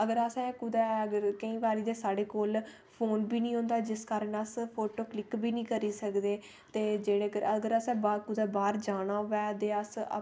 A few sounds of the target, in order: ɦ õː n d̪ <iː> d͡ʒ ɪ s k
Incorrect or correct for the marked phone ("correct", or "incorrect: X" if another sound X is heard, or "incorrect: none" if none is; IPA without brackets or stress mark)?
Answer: incorrect: aː